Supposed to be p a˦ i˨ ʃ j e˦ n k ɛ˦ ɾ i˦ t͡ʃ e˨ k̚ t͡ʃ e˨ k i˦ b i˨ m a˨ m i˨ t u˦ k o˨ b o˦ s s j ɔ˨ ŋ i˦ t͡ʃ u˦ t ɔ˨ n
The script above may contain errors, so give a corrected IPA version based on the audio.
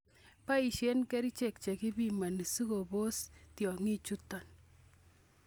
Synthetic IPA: p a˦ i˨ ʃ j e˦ n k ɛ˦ ɾ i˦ t͡ʃ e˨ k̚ t͡ʃ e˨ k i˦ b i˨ m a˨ n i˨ s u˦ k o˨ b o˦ s t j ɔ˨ ŋ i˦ t͡ʃ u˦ t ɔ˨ n